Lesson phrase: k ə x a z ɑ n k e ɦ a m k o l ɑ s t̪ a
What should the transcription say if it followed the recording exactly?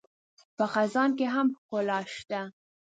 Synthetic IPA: p ə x a z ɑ n k e ɦ a m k o l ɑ ʃ t̪ a